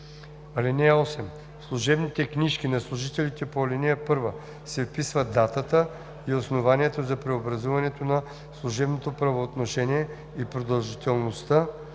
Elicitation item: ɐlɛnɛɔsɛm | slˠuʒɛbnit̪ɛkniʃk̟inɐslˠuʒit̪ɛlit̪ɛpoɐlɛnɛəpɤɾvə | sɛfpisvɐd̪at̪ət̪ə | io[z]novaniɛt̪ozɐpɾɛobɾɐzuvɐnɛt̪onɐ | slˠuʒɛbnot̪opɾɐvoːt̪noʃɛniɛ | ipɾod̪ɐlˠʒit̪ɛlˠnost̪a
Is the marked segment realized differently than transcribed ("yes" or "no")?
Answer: yes